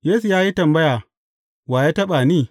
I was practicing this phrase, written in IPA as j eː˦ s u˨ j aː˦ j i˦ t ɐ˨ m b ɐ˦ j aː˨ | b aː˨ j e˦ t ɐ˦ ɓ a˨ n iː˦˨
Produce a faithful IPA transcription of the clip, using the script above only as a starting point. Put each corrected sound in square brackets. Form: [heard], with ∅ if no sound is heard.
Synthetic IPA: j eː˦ s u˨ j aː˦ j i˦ t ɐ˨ m b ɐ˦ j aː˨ | [w] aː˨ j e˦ t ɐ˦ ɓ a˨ n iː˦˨